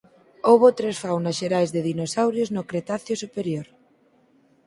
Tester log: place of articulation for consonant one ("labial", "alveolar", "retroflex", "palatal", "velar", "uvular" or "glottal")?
labial